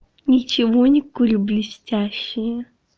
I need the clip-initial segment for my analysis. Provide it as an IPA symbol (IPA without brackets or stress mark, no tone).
nʲ